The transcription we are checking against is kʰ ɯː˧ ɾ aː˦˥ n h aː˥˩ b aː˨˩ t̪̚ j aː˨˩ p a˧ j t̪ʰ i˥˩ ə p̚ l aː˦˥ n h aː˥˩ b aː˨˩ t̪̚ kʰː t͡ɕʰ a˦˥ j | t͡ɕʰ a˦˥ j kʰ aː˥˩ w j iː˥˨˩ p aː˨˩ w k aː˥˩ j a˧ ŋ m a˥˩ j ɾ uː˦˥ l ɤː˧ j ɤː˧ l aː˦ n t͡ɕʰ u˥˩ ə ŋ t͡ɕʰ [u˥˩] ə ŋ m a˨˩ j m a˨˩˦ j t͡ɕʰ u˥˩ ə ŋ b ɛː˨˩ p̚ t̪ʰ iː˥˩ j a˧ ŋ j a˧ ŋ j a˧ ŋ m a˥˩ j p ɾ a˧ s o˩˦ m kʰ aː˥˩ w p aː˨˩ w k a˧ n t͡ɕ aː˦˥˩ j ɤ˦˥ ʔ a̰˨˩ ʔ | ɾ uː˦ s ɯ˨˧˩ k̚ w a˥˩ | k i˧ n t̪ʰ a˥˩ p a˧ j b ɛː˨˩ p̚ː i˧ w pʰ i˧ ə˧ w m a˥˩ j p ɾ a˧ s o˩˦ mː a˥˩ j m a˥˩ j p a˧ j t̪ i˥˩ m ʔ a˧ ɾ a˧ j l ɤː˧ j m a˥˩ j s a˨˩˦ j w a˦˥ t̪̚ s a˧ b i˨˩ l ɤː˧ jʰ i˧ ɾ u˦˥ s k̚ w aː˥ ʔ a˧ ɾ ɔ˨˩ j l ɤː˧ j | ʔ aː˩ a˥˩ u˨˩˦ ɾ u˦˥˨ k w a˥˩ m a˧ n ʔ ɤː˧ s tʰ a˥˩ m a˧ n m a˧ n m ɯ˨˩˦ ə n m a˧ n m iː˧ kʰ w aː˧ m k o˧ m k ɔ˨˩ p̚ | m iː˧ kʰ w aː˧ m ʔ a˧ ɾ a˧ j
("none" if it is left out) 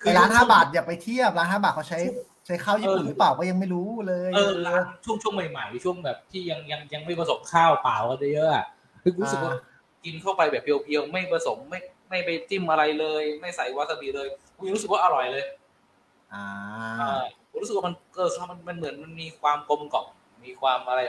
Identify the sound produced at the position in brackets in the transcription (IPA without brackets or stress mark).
u˥˩